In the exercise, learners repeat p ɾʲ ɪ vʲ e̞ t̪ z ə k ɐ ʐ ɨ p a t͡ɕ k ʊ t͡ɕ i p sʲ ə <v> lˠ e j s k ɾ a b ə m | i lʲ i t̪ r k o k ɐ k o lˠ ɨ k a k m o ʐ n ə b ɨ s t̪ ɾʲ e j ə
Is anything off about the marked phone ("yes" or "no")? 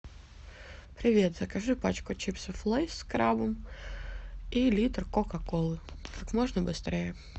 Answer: yes